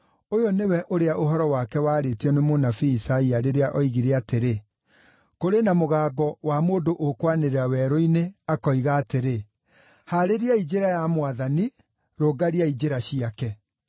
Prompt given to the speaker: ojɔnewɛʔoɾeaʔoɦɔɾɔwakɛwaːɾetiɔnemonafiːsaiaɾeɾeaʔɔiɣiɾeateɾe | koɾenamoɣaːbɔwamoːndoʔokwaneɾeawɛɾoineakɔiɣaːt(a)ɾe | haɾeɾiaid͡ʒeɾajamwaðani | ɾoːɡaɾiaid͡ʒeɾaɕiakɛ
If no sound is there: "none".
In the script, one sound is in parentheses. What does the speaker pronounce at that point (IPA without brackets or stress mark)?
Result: e